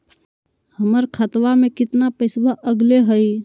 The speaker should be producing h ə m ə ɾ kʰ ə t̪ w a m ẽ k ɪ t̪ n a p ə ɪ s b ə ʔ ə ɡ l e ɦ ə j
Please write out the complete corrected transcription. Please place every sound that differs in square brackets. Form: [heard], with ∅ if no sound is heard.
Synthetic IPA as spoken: h ə m ə ɾ kʰ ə t̪ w a m [e] k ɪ t̪ n a p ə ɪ s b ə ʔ ə ɡ l e ɦ ə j